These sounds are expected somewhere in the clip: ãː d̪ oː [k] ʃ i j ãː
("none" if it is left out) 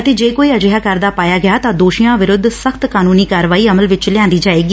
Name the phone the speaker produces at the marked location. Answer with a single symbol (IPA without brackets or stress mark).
none